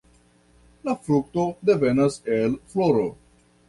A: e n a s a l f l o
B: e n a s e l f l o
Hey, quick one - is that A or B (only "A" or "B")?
B